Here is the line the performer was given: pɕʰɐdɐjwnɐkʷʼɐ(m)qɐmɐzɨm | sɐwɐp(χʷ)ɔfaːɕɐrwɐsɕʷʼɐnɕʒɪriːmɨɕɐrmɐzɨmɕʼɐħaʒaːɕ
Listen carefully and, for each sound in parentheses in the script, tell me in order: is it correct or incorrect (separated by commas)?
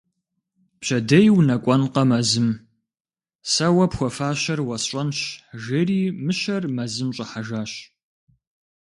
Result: incorrect, incorrect